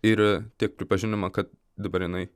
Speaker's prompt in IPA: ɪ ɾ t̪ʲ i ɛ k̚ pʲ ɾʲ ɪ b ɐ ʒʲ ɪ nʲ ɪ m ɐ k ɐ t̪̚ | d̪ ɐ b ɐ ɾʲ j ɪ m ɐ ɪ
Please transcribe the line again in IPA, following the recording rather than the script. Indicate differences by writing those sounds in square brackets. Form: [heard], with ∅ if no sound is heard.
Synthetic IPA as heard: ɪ ɾ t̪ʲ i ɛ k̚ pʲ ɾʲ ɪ [p] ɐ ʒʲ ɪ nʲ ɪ m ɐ k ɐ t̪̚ | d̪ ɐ b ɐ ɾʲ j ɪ [n] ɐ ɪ